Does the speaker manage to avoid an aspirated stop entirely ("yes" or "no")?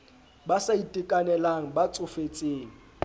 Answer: yes